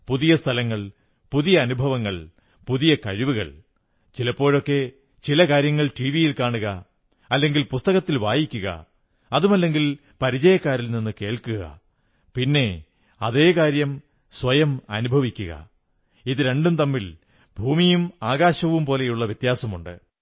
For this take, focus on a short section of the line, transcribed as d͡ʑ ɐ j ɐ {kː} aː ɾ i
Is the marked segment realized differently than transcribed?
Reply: no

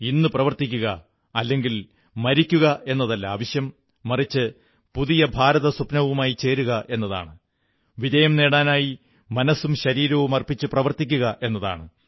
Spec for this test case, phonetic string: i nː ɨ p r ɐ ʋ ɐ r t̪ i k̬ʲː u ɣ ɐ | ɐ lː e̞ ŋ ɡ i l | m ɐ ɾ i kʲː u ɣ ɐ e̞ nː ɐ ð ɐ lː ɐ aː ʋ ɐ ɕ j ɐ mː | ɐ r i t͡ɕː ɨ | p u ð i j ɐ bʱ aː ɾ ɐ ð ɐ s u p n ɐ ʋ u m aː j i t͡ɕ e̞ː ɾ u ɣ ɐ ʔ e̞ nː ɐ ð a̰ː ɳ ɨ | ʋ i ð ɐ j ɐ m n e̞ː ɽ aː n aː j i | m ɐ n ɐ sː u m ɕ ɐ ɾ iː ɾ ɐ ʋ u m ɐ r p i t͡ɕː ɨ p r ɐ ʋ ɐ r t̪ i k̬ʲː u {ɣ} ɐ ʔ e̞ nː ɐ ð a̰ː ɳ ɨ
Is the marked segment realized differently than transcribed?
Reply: no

